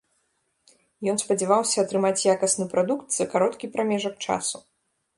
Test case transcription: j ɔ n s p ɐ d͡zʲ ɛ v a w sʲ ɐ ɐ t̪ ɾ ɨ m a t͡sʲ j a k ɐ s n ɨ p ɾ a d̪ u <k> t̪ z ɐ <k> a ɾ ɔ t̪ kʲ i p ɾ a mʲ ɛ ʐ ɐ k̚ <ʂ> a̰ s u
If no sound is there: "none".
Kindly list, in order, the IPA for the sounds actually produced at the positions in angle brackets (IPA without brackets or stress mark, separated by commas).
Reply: k, k, t͡ʂ